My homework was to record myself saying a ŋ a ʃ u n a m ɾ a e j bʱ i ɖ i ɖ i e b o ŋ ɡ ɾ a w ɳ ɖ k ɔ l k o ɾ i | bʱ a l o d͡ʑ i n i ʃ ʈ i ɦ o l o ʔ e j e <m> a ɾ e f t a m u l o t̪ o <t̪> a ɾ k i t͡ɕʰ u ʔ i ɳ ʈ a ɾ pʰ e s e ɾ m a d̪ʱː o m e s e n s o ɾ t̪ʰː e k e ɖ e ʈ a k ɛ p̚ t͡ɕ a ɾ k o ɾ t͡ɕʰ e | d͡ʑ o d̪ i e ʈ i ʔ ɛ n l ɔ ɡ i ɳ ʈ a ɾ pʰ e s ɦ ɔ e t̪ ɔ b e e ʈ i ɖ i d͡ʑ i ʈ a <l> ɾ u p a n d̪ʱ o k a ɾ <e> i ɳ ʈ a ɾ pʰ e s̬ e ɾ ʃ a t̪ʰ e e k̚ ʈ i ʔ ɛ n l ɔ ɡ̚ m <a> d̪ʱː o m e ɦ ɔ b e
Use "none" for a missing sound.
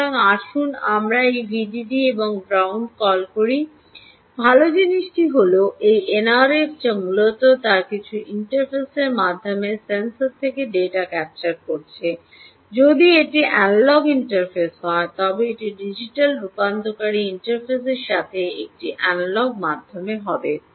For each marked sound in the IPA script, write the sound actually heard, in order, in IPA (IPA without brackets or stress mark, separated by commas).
n, t̪, l, i, a